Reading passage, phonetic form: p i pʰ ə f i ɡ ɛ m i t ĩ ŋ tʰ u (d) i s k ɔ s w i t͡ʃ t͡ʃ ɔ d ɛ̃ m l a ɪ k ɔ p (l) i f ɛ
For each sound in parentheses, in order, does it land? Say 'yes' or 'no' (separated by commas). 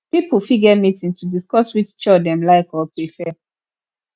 yes, no